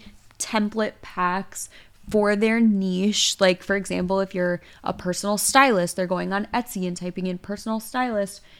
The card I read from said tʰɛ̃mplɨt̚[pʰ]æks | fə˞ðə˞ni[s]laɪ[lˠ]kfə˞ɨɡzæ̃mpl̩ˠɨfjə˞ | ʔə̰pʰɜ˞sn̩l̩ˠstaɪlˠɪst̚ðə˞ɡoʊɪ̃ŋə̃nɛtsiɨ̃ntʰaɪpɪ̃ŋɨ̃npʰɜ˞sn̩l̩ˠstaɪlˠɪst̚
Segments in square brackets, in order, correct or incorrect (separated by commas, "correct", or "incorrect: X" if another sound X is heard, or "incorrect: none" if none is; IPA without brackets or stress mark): correct, incorrect: ʃ, incorrect: none